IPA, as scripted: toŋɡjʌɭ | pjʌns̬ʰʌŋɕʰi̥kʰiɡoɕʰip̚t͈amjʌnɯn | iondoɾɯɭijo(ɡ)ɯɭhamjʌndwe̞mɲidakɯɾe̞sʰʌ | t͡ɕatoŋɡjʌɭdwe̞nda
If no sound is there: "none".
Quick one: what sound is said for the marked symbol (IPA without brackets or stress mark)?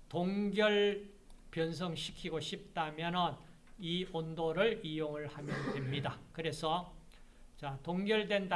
ŋ